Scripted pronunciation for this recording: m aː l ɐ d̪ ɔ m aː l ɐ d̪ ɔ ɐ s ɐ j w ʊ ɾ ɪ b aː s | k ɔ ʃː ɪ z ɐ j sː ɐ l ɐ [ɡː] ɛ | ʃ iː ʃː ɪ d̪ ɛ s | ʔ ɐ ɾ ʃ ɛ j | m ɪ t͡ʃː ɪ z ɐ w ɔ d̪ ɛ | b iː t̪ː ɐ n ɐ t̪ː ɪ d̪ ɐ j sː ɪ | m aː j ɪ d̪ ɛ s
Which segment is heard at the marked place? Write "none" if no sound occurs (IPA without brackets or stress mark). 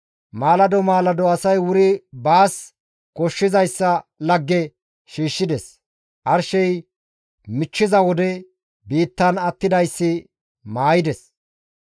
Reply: ɡː